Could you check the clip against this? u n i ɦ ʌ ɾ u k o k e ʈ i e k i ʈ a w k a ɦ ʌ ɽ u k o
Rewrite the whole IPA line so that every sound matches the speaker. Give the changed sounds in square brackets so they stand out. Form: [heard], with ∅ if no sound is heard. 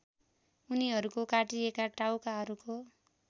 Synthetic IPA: u n i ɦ ʌ ɾ u k o k [a] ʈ i e k [a] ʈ a w k a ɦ ʌ [ɾ] u k o

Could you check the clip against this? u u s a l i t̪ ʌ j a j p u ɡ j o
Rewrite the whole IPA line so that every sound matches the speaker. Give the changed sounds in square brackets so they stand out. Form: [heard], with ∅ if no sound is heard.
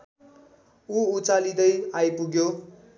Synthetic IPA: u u [t͡s] a l i [d̪] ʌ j a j p u ɡ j o

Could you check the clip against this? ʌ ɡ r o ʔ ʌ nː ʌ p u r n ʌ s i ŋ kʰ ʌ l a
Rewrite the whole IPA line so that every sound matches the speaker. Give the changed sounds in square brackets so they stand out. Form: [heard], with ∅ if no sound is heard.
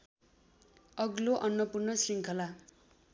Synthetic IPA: ʌ ɡ [l] o ʔ ʌ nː ʌ p u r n ʌ s i ŋ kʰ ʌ l a

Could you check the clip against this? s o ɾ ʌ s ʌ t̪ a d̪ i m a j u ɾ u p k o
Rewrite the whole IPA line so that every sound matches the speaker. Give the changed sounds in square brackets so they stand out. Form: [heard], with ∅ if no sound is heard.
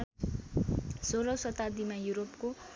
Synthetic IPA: s o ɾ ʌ s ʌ t̪ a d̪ i m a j u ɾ [o] p k o

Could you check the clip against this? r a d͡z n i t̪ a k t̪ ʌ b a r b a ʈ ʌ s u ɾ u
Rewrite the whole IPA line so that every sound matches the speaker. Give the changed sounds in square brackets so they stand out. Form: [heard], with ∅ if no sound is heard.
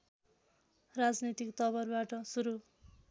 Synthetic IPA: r a d͡z n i t̪ [i] k t̪ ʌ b [ʌ] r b a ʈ ʌ s u ɾ u

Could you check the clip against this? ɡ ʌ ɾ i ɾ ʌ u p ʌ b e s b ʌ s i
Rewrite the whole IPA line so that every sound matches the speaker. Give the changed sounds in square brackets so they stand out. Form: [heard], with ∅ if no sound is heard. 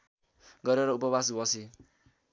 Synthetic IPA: ɡ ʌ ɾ [e] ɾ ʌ u p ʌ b [a] s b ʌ s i

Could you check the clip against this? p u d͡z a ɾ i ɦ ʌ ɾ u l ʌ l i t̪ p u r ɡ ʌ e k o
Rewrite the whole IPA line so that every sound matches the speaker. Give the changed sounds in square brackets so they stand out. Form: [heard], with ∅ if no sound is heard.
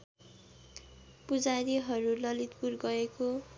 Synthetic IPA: p u d͡z a ɾ i ɦ ʌ ɾ u l ʌ l i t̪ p u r ɡ ʌ e k o

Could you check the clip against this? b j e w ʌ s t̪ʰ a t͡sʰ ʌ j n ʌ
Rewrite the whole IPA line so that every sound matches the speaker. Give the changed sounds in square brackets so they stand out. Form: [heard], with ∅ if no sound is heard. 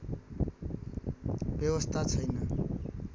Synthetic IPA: b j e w ʌ s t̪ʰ a t͡sʰ ʌ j n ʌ

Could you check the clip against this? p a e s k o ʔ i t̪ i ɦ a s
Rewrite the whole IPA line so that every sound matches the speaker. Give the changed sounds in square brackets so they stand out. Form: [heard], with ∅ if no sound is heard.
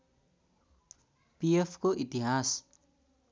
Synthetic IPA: p [i] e [f] k o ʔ i t̪ i ɦ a s

